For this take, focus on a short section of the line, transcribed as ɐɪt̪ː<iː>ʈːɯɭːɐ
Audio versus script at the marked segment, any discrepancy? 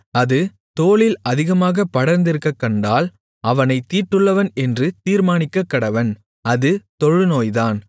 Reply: no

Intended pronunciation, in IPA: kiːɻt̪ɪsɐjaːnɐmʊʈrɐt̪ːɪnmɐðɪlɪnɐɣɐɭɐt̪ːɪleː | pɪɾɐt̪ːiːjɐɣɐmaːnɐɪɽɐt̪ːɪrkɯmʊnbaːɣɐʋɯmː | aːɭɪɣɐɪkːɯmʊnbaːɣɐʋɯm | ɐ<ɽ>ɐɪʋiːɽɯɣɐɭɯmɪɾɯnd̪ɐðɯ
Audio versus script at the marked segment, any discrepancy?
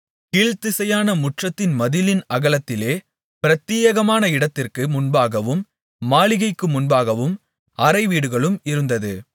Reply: yes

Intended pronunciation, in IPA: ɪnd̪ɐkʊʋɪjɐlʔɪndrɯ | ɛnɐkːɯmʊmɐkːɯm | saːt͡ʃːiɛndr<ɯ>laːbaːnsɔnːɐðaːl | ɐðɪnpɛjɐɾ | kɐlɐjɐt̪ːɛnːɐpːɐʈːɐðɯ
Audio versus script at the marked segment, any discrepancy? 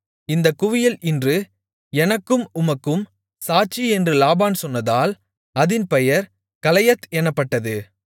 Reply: no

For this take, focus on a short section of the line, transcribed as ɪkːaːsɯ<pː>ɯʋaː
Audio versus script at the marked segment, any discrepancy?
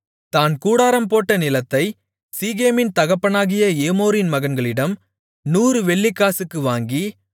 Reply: yes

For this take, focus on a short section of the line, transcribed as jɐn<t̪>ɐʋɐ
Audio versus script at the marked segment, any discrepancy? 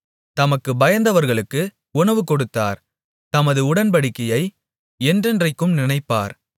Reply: yes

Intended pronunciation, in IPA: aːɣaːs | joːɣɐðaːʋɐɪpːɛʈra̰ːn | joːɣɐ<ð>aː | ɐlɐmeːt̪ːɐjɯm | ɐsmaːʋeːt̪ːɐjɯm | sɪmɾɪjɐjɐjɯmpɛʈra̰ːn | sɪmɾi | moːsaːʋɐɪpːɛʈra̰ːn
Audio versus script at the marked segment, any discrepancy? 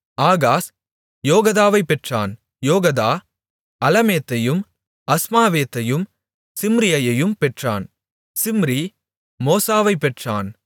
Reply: no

